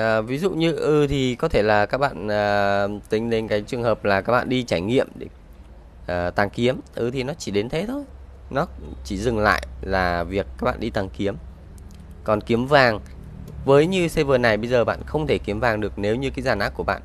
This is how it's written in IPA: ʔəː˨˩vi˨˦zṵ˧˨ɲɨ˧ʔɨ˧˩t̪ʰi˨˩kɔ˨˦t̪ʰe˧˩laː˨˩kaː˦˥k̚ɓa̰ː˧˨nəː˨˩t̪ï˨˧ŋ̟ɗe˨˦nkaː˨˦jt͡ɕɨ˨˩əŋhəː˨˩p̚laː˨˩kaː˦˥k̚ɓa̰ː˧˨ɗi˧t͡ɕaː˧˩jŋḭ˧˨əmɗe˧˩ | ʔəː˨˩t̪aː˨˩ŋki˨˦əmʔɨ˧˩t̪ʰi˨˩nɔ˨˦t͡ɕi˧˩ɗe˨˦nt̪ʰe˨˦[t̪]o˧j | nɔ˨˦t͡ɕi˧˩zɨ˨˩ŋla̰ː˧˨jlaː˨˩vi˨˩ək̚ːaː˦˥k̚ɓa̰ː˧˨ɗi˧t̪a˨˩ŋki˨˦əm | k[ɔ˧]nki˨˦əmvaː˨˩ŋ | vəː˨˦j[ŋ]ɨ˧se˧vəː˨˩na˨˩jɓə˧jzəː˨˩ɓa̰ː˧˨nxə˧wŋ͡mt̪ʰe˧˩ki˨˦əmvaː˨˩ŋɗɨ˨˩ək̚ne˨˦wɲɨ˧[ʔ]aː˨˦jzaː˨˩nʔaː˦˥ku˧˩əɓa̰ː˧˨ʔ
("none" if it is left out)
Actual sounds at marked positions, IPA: t̪ʰ, ɔ˨˩, ɲ, k

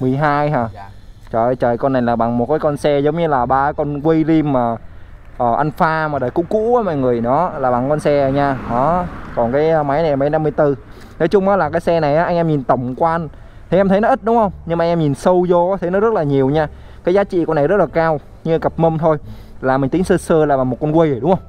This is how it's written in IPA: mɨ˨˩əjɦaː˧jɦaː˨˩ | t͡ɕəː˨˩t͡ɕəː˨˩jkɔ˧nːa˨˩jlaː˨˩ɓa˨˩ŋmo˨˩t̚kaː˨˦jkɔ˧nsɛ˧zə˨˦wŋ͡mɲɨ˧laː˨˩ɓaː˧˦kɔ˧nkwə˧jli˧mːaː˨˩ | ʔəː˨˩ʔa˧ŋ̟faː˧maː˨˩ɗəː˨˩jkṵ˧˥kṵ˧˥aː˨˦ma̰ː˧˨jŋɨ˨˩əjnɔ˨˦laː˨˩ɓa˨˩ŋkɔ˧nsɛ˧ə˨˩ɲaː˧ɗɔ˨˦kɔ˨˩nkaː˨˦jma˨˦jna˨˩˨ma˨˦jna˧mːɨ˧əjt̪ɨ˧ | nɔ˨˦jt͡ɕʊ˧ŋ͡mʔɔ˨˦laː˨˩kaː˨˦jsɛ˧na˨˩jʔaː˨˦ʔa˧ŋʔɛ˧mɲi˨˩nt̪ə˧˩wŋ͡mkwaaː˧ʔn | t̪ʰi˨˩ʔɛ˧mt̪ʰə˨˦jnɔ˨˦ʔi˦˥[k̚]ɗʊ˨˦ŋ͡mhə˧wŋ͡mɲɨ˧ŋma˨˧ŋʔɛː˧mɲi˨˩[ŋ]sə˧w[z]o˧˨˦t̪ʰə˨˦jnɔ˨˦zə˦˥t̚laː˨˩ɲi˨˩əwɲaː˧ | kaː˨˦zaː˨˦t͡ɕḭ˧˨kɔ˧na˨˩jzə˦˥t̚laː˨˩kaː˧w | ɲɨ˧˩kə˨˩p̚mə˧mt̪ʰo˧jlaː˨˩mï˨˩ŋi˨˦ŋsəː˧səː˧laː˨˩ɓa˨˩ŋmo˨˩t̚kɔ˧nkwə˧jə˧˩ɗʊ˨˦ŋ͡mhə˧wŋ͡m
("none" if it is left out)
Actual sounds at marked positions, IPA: t̚, n, z

